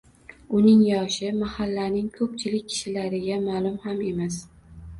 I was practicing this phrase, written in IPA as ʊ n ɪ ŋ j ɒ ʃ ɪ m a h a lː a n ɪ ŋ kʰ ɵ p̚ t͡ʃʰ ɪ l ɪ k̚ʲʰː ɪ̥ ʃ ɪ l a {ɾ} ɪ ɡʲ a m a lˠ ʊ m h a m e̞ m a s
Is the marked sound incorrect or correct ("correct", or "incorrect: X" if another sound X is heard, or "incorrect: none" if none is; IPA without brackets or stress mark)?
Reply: correct